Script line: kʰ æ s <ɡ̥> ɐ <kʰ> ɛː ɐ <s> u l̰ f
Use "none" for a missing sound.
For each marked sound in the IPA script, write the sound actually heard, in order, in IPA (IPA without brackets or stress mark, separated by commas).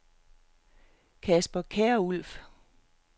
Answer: b̥, kʰ, none